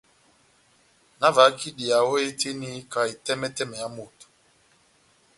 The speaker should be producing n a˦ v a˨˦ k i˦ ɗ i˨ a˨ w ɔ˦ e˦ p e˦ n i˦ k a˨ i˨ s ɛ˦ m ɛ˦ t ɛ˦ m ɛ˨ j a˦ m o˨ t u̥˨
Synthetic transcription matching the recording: n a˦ v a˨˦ k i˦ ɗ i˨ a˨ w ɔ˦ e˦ t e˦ n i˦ k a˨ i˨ t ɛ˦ m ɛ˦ t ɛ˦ m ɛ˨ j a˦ m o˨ t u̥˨